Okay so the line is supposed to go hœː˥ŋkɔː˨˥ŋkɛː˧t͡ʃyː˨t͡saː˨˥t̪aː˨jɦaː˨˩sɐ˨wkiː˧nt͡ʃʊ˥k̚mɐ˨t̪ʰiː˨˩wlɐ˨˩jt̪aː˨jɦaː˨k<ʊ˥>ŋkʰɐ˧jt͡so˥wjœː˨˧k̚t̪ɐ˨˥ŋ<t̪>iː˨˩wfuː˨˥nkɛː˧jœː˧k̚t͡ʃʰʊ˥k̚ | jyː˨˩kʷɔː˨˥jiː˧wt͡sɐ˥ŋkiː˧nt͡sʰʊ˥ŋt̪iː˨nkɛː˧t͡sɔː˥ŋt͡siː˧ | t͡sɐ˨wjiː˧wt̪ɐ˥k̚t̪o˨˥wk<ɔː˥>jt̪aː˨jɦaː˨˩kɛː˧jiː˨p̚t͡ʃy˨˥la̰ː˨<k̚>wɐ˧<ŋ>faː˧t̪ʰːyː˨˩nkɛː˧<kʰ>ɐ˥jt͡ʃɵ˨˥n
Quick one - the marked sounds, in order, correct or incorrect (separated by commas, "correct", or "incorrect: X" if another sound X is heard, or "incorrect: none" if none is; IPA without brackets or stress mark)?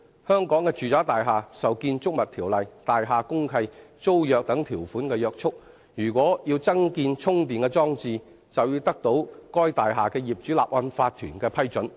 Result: correct, incorrect: t̪ʰ, correct, incorrect: p̚, incorrect: n, incorrect: pʰ